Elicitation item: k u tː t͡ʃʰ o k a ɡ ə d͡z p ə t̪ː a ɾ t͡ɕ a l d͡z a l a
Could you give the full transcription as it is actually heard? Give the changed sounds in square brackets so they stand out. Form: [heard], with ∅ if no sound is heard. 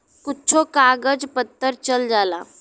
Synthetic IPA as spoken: k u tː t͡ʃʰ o k a ɡ ə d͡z p ə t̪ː [ə] ɾ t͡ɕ [ə] l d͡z a l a